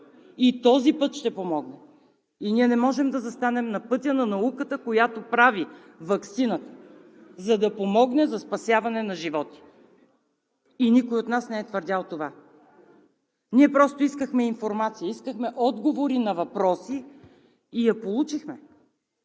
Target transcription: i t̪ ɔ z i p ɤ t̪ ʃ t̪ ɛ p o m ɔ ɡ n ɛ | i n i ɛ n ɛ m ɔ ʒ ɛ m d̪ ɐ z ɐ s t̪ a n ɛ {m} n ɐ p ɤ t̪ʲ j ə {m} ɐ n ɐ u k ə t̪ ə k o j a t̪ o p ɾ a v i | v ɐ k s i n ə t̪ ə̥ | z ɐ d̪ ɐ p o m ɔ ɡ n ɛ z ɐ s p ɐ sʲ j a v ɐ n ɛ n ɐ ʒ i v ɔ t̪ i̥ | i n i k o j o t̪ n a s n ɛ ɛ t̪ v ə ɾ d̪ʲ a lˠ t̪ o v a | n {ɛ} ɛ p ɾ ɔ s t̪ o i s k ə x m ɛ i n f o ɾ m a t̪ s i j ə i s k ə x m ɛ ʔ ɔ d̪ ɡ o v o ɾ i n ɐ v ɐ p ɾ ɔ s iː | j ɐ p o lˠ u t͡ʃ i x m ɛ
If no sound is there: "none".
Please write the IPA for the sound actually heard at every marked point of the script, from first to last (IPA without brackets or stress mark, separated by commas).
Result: m, n, i